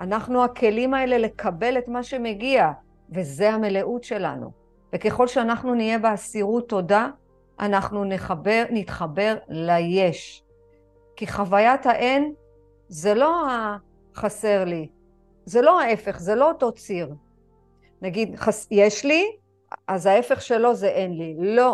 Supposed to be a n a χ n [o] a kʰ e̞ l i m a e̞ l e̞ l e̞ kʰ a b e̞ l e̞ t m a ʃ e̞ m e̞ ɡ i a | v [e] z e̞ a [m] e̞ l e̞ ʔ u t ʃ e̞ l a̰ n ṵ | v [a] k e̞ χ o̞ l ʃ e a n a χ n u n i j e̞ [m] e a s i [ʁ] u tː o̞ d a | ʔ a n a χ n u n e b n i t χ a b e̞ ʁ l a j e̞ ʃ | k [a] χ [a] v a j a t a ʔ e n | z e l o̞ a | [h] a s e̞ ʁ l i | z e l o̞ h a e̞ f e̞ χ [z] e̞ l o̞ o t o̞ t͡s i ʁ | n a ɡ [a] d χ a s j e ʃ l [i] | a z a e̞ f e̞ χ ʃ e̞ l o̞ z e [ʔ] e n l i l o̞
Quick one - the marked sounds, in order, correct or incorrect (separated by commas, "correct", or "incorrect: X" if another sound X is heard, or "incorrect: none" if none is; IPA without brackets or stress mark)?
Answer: incorrect: u, correct, correct, incorrect: e, incorrect: b, correct, incorrect: i, correct, incorrect: χ, correct, incorrect: i, correct, correct